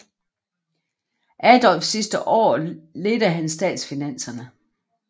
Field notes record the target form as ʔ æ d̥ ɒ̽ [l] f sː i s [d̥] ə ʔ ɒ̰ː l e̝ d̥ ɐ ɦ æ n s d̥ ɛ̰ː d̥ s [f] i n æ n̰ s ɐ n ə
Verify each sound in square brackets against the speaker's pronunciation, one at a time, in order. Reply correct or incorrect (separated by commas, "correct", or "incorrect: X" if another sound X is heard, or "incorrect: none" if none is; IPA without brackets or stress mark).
correct, correct, correct